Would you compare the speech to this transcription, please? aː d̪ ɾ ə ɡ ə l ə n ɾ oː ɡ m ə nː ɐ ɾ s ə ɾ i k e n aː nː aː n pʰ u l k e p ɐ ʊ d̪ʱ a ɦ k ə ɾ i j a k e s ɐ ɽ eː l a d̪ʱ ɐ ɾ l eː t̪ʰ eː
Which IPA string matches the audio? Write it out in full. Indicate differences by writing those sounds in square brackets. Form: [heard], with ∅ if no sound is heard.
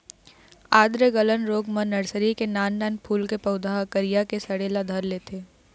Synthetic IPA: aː d̪ ɾ ə ɡ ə l ə n ɾ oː ɡ m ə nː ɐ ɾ s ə ɾ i k e n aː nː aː n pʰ [uː] l k e p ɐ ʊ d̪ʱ a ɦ k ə ɾ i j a k e s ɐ ɽ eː l a d̪ʱ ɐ ɾ l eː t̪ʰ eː

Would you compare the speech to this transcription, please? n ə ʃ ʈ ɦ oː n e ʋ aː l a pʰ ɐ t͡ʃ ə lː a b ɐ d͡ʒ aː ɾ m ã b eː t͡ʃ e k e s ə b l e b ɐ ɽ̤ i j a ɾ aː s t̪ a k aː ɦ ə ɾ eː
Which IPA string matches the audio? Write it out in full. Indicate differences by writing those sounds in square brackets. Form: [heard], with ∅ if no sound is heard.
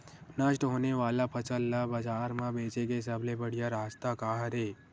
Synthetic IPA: n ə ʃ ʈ ɦ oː n e ʋ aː l a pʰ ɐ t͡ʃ ə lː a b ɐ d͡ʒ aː ɾ m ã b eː t͡ʃ e k e s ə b l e b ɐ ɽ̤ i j a ɾ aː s t̪ a k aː ɦ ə ɾ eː

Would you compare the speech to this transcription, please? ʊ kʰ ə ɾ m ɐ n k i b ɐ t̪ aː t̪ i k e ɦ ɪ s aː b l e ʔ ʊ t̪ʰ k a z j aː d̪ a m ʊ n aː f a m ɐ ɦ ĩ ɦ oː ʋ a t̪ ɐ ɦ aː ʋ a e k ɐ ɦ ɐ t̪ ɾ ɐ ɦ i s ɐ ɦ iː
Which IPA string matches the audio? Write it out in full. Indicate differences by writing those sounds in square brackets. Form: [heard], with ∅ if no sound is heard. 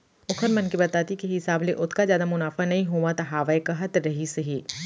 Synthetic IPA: ʊ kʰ ə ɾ m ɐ n k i b ɐ t̪ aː t̪ i k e ɦ ɪ s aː b l e ʔ ʊ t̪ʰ k a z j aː d̪ a m ʊ n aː f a [n] ɐ ɦ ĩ ɦ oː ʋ a t̪ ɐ ɦ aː ʋ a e k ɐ ɦ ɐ t̪ ɾ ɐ ɦ i s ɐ ɦ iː

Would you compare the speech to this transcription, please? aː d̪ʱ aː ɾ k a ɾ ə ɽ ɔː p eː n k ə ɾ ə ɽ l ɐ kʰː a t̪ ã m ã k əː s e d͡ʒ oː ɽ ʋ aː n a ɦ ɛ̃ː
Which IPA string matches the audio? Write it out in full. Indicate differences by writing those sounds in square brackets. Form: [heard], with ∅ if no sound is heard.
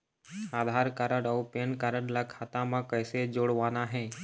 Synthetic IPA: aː d̪ʱ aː ɾ k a ɾ ə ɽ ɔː p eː n k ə ɾ ə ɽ l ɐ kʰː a t̪ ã m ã k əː s e d͡ʒ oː ɽ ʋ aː n a ɦ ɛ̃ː

